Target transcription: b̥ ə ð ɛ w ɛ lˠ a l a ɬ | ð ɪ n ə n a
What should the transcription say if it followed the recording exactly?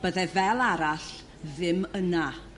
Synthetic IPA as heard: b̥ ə ð ɛ v ɛ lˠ a ɾ a ɬ | ð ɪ m ə n a